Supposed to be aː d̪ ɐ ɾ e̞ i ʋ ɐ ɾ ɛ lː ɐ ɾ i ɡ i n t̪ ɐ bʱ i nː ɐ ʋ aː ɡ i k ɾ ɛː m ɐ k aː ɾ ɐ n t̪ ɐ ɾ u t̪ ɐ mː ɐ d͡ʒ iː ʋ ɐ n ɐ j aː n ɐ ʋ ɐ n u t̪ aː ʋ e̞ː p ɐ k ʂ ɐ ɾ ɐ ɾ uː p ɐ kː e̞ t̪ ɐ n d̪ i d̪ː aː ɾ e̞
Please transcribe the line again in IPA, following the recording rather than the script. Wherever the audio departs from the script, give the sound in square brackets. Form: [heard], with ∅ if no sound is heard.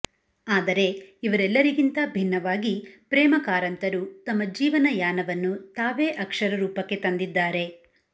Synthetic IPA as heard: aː d̪ ɐ ɾ e̞ i ʋ ɐ ɾ ɛ lː ɐ ɾ i ɡ i n t̪ ɐ bʱ i nː ɐ ʋ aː ɡ i [p] ɾ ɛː m ɐ k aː ɾ ɐ n t̪ ɐ ɾ u t̪ ɐ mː ɐ d͡ʒ iː ʋ ɐ n ɐ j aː n ɐ ʋ ɐ [nː] u t̪ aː ʋ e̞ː [ʔ] ɐ k ʂ ɐ ɾ ɐ ɾ uː p ɐ kː e̞ t̪ ɐ n d̪ i d̪ː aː ɾ e̞

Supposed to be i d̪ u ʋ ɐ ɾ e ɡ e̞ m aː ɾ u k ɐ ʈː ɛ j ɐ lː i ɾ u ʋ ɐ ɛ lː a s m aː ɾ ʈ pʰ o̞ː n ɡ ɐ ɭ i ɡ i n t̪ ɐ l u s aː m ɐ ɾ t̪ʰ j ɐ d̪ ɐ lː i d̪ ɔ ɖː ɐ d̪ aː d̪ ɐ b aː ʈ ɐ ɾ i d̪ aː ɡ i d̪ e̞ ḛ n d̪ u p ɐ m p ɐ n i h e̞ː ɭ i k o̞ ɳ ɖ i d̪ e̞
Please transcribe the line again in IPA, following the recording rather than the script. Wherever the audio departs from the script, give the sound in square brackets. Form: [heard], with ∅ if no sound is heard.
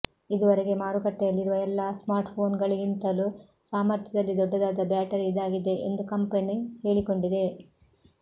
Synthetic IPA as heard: i d̪ u ʋ ɐ ɾ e ɡ e̞ m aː ɾ u k ɐ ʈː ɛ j ɐ lː i ɾ u ʋ ɐ ɛ lː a s m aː ɾ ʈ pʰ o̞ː n ɡ ɐ ɭ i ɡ i n t̪ ɐ l u s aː m ɐ ɾ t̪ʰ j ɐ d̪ ɐ lː i d̪ ɔ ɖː ɐ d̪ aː d̪ ɐ b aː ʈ ɐ ɾ i d̪ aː ɡ i d̪ e̞ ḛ n d̪ u [k] ɐ m p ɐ n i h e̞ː ɭ i k o̞ ɳ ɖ i d̪ e̞

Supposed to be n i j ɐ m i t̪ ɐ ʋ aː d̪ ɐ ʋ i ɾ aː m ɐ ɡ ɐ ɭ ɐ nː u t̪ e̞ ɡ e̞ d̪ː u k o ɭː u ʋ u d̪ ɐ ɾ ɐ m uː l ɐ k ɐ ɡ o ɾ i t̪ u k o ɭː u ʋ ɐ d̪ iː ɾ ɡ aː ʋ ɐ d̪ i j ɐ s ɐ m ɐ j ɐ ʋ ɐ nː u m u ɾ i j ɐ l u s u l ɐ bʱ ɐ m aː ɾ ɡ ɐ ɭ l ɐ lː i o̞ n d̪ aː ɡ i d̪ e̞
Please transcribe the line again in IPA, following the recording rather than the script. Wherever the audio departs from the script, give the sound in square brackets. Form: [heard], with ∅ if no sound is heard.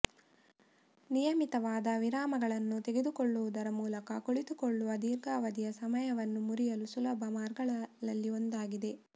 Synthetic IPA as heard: n i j ɐ m i t̪ ɐ ʋ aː d̪ ɐ ʋ i ɾ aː m ɐ ɡ ɐ ɭ ɐ nː u t̪ e̞ ɡ e̞ [d̪] u k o ɭː u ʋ u d̪ ɐ ɾ ɐ m uː l ɐ k ɐ [k] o [ɭ] i t̪ u k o ɭː u ʋ ɐ d̪ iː ɾ ɡ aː ʋ ɐ d̪ i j ɐ s ɐ m ɐ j ɐ ʋ ɐ nː u m u ɾ i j ɐ l u s u l ɐ bʱ ɐ m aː ɾ ɡ ɐ ɭ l ɐ lː i o̞ n d̪ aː ɡ i d̪ e̞

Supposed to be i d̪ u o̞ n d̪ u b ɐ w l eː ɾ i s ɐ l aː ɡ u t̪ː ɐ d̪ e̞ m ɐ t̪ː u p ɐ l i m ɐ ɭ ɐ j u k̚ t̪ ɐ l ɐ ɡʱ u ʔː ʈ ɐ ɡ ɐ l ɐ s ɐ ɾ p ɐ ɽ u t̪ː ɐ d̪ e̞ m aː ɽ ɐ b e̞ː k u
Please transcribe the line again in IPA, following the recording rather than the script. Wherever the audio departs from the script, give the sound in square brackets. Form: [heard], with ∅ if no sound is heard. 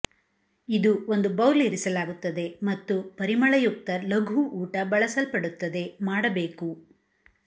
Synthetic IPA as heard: i d̪ u o̞ n d̪ u b ɐ w l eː ɾ i s ɐ l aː ɡ u t̪ː ɐ d̪ e̞ m ɐ t̪ː u p ɐ [ɾ] i m ɐ ɭ ɐ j u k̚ t̪ ɐ l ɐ ɡʱ u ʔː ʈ ɐ [b] ɐ [ɭ] ɐ s ɐ [l] p ɐ ɽ u t̪ː ɐ d̪ e̞ m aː ɽ ɐ b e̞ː k u

